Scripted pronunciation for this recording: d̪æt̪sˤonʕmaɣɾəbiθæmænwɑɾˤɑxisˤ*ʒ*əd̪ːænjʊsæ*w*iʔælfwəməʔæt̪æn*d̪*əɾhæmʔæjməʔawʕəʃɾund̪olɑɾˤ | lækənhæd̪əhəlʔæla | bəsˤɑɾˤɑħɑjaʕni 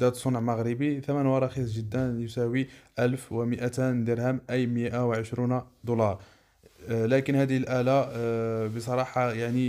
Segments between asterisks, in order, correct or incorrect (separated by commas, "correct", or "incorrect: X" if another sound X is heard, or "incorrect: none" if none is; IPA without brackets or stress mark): correct, correct, correct